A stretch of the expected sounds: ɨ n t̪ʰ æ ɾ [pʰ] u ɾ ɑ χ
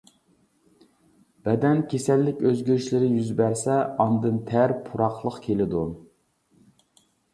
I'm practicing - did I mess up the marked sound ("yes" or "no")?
no